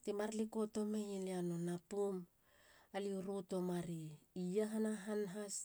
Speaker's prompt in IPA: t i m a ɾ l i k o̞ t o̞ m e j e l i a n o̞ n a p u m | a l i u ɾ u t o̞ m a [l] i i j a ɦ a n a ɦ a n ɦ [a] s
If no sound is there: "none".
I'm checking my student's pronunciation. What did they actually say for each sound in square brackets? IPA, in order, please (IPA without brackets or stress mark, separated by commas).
ɾ, a